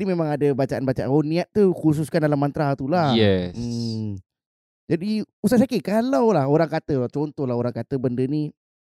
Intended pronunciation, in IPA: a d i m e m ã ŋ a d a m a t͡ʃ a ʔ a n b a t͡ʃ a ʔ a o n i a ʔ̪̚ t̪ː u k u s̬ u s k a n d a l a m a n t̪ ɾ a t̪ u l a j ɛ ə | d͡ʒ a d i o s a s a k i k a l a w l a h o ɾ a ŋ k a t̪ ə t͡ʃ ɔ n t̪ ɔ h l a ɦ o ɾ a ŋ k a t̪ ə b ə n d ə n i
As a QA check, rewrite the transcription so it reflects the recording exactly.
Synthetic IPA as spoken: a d i m e m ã ŋ a d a b a t͡ʃ a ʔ a n b a t͡ʃ a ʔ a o n i a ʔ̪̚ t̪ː u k u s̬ u s k a n d a l a m a n t̪ ɾ a t̪ u l a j ɛ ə | d͡ʒ a d i u s a s a k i k a l a w l a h o ɾ a ŋ k a t̪ ə t͡ʃ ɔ n t̪ ɔ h l a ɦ o ɾ a ŋ k a t̪ ə b ə n d ə n i